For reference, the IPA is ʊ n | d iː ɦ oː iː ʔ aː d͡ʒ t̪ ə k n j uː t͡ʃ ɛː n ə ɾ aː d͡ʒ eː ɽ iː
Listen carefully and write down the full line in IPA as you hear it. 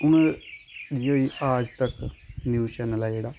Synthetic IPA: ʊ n | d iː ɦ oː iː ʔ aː d͡ʒ t̪ ə k n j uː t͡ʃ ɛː n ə l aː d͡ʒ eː ɽ aː